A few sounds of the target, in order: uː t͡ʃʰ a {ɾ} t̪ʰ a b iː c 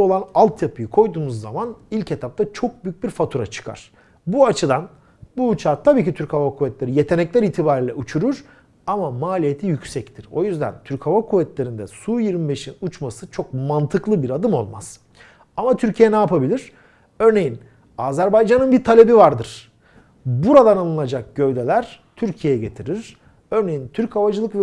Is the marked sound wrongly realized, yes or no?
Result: no